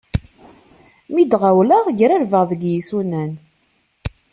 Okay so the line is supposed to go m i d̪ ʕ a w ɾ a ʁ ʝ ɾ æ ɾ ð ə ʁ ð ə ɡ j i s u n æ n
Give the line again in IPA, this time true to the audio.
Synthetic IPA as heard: m i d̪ ʁ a w l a ʁ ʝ ɾ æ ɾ v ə ʁ ð ə ɡ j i s u n æ n